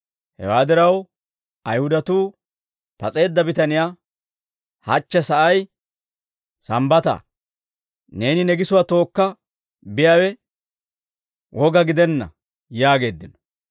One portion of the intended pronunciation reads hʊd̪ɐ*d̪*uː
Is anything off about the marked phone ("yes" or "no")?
yes